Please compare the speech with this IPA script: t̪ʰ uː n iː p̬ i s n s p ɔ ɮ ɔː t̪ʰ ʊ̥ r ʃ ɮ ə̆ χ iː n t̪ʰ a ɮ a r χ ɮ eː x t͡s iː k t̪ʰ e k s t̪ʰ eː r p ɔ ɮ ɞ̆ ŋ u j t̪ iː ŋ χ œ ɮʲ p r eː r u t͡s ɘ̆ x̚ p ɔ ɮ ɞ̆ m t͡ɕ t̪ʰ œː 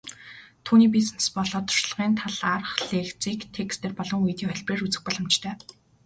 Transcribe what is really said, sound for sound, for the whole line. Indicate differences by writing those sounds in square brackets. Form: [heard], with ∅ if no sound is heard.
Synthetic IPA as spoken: t̪ʰ uː n iː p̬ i s n s p ɔ ɮ ɔː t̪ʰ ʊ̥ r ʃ ɮ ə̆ [ʁ] iː n t̪ʰ a ɮ a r χ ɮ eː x t͡s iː k t̪ʰ e k s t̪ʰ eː r p ɔ ɮ ɞ̆ ŋ u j t̪ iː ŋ χ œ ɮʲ p r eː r u t͡s ɘ̆ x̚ p ɔ ɮ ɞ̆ m t͡ɕ t̪ʰ œː